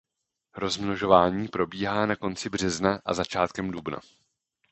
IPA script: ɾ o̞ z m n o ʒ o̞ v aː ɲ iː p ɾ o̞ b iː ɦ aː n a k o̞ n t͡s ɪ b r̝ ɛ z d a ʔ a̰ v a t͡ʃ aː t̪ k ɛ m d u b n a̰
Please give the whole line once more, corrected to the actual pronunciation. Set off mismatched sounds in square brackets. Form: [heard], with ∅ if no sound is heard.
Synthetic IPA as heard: ɾ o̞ z m n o ʒ o̞ v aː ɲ iː p ɾ o̞ b iː ɦ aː n a k o̞ n t͡s ɪ b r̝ ɛ z [n] a ʔ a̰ [z] a t͡ʃ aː t̪ k ɛ m d u b n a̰